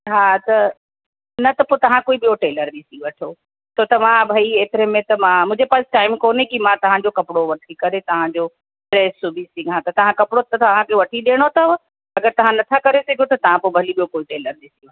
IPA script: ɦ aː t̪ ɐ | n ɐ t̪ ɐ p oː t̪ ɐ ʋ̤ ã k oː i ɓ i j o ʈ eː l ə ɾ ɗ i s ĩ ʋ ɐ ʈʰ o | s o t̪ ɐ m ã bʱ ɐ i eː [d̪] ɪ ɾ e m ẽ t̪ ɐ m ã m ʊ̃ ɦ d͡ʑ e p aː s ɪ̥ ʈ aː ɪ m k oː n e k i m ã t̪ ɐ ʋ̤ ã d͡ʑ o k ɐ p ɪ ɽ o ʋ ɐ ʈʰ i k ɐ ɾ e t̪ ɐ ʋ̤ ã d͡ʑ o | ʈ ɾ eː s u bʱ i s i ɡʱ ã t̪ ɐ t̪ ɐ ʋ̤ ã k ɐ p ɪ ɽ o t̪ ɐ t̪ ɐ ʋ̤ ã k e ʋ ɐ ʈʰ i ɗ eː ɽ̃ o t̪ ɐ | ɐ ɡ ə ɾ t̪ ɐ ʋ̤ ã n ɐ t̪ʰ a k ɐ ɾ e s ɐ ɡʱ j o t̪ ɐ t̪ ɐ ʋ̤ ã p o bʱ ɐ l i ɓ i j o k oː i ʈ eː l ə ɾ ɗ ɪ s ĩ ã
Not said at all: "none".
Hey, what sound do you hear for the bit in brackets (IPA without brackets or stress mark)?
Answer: t̪